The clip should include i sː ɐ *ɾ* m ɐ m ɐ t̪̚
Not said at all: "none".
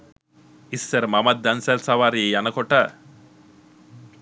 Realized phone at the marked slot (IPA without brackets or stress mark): ɾ